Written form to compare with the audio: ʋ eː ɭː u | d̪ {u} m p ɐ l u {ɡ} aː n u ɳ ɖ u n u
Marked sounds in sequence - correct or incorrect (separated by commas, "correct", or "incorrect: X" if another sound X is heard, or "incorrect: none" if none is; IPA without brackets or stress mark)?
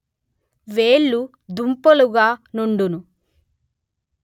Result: correct, correct